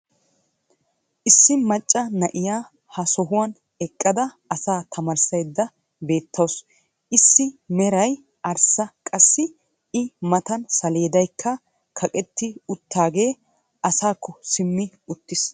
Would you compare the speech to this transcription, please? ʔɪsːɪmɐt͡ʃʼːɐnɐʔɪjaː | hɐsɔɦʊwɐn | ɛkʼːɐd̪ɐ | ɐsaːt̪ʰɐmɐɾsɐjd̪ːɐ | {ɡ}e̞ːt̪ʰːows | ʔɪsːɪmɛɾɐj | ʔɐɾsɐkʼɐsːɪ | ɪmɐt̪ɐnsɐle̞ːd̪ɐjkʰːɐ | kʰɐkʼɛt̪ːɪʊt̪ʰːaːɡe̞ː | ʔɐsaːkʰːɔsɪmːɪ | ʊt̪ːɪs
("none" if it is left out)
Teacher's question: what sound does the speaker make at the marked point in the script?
b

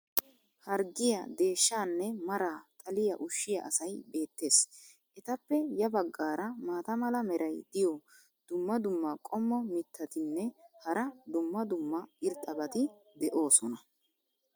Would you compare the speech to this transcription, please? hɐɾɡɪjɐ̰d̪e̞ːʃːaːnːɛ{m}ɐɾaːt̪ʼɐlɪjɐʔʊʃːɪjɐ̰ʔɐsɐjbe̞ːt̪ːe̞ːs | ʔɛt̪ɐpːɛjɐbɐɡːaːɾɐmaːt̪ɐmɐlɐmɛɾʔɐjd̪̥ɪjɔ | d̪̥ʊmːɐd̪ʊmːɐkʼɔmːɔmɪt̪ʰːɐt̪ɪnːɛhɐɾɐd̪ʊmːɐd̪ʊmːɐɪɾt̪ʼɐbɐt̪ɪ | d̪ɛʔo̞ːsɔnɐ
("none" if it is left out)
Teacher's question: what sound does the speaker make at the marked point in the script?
m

